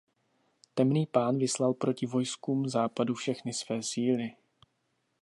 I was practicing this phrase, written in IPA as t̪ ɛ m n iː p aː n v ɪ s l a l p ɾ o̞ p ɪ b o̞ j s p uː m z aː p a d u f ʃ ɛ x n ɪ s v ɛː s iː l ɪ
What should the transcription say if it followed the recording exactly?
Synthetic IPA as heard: t̪ ɛ m n iː p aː n v ɪ s l a l p ɾ o̞ c ɪ v o̞ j s k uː m z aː p a d u f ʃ ɛ x n ɪ s v ɛː s iː l ɪ